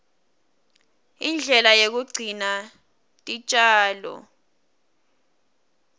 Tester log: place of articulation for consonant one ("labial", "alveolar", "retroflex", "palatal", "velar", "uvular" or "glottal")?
alveolar